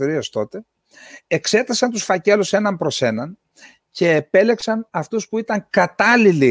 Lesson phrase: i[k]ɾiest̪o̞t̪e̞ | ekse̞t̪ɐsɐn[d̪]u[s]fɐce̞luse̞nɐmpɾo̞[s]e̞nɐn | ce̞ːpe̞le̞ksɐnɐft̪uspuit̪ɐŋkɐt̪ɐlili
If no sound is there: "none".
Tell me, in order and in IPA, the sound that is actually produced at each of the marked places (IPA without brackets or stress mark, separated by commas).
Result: none, t̪, s, s